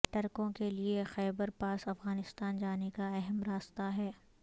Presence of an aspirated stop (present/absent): absent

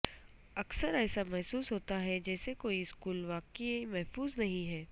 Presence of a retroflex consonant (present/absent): absent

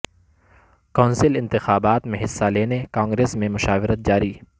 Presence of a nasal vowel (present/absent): present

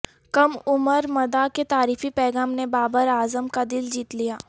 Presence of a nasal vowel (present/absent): absent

